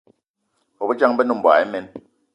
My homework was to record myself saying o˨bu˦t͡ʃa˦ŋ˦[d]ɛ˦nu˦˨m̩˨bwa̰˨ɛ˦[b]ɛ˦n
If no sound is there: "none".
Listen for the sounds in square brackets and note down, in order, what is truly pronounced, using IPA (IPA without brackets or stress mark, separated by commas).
b, m